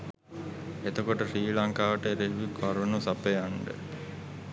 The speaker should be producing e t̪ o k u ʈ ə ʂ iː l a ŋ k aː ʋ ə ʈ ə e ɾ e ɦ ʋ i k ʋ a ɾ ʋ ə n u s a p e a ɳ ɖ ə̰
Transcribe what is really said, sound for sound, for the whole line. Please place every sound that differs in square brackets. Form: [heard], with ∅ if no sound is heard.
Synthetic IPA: e t̪ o k [o] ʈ ə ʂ iː l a ŋ k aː ʋ ə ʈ ə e ɾ e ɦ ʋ i k ʋ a ɾ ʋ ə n u s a p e a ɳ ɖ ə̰